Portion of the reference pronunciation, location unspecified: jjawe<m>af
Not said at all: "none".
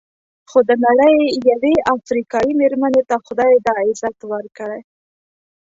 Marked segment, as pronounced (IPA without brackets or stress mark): none